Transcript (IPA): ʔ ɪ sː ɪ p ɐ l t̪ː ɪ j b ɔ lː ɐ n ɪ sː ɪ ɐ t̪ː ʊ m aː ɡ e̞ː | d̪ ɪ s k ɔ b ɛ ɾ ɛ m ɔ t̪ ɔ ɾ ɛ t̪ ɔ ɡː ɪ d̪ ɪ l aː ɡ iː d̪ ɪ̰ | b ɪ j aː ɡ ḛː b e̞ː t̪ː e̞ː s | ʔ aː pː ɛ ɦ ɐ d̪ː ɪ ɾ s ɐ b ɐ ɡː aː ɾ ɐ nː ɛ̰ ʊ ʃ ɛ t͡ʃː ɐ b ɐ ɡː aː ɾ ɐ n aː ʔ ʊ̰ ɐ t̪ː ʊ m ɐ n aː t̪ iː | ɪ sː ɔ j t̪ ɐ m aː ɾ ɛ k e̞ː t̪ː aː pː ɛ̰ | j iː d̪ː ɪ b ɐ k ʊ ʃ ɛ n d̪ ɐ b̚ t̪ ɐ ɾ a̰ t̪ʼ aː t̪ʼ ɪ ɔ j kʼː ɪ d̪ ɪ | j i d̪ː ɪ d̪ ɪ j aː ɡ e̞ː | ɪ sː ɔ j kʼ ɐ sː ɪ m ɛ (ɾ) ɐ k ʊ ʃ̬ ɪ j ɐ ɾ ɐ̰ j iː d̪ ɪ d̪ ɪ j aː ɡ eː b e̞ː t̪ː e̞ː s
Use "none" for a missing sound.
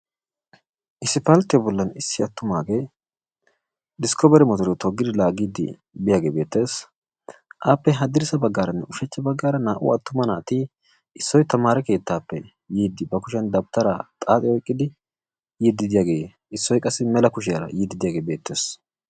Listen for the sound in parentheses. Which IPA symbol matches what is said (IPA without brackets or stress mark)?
l